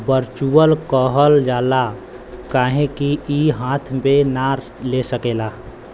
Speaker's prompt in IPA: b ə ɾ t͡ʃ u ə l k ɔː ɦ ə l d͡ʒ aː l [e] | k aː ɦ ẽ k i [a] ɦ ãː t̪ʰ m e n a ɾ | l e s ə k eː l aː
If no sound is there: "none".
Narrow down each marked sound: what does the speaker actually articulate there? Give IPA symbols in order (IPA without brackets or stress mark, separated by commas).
a, i